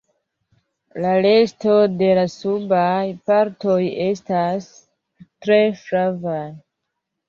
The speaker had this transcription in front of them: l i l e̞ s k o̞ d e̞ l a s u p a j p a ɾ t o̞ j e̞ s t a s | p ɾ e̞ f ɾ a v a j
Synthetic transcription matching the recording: l a l e̞ s t o̞ d e̞ l a s u b a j p a ɾ t o̞ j e̞ s t a s | t ɾ e̞ f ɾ a v a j